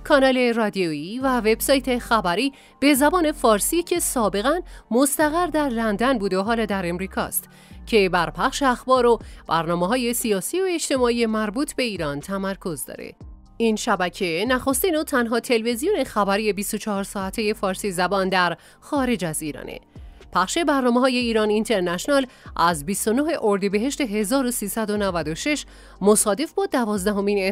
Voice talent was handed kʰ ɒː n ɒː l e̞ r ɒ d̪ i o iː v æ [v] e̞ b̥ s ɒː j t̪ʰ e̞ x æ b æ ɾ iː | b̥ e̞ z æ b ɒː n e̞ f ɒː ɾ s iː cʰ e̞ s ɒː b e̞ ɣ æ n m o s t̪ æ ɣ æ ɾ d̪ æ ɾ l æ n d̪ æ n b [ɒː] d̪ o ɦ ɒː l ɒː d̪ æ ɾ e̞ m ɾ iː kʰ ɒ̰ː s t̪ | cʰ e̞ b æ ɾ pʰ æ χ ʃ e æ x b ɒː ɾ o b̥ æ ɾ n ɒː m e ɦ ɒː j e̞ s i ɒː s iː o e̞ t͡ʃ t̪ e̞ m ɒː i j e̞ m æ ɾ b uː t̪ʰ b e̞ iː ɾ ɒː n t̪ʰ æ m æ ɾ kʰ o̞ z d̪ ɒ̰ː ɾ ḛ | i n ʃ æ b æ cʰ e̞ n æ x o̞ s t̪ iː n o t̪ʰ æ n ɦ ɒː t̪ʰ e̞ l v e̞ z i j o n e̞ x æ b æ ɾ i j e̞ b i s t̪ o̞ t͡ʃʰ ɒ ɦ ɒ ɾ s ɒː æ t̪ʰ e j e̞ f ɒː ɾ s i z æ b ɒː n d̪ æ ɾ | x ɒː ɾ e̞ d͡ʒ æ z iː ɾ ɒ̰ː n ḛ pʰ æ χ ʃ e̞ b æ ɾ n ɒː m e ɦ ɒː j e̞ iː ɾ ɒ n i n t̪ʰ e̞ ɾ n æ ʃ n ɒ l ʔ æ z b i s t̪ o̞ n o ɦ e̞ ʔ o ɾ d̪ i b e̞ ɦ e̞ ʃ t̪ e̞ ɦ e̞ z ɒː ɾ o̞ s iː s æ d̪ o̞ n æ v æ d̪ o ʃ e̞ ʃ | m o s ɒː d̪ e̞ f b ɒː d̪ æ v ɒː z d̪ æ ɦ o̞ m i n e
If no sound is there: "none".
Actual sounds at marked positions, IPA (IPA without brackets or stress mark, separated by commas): v, uː